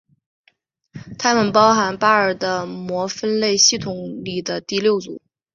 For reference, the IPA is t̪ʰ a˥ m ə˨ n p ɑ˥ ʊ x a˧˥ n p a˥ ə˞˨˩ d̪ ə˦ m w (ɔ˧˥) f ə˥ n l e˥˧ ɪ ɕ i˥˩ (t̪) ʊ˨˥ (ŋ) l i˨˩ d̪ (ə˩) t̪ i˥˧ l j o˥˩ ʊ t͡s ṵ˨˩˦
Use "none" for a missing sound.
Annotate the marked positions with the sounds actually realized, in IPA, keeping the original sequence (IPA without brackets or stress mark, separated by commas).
ɔ˧˥, t̪ʰ, ŋ, ə˦